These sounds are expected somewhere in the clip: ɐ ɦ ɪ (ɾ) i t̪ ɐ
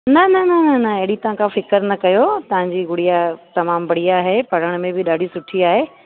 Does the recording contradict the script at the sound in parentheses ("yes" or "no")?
yes